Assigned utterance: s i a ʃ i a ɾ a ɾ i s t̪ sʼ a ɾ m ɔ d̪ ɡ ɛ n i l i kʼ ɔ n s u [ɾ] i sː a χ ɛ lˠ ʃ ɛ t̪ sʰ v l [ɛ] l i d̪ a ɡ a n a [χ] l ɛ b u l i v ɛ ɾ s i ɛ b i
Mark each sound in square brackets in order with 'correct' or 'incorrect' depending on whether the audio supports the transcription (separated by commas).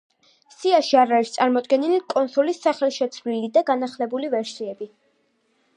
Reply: incorrect, incorrect, correct